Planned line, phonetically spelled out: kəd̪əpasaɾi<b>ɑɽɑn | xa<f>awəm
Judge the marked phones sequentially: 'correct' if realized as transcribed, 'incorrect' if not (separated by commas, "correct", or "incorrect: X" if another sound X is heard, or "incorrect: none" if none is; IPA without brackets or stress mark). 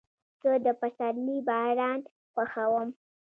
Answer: correct, incorrect: x